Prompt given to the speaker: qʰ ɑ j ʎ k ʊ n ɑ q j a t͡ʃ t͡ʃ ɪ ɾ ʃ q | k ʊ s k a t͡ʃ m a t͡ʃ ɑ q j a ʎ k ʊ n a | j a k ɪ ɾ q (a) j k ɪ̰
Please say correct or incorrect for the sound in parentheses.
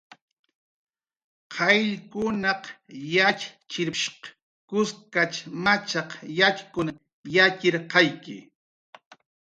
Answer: incorrect